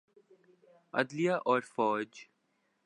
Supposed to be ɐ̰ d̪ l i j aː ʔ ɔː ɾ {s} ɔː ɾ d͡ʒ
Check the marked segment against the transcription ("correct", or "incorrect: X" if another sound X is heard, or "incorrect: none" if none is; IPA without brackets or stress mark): incorrect: f